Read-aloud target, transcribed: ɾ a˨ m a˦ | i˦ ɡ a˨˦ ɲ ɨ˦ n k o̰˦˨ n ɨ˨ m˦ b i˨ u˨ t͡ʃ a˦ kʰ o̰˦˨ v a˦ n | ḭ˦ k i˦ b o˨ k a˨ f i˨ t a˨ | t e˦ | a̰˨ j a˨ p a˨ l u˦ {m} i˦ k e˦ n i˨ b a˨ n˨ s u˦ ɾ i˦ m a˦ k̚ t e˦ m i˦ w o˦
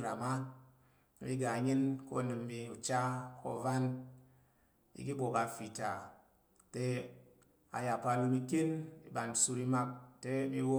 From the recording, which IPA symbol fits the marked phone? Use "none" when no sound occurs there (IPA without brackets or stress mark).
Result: m